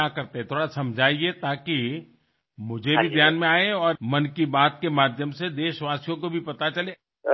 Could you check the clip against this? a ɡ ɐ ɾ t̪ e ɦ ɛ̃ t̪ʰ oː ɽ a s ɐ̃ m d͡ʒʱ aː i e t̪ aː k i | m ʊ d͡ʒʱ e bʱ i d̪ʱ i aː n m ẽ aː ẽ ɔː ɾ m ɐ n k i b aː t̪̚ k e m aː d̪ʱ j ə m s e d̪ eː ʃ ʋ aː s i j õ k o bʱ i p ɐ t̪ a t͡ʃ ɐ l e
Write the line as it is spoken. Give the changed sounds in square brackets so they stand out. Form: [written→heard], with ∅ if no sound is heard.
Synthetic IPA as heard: a [ɡ→k] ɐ ɾ t̪ e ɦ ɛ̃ t̪ʰ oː ɽ a s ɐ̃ m d͡ʒʱ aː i e t̪ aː k i | m ʊ d͡ʒʱ e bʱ i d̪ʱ [i→j] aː n m ẽ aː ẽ ɔː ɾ m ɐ n k i b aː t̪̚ k e m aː d̪ʱ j ə m s e d̪ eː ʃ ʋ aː s i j õ k o bʱ i p ɐ t̪ a t͡ʃ ɐ l e